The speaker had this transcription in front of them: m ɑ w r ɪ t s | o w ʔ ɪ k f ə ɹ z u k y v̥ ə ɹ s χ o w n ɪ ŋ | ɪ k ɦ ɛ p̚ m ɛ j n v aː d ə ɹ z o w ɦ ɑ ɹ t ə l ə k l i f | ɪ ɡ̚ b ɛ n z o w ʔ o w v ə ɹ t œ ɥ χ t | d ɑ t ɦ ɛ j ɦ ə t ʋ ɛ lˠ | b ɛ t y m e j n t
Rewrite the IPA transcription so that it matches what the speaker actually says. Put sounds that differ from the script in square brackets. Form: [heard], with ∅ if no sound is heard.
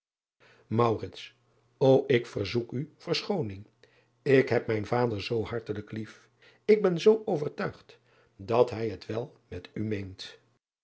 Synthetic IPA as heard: m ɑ w r ɪ t s | o w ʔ ɪ k f ə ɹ z u k y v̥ ə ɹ s χ o w n ɪ ŋ | ɪ k ɦ ɛ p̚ m ɛ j n v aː d ə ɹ z o w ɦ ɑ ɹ t ə l ə k l i f | ɪ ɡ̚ b ɛ n z o w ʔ o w v ə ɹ t œ ɥ χ t | d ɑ t ɦ ɛ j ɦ ə t ʋ ɛ lˠ | [m] ɛ t y m e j n t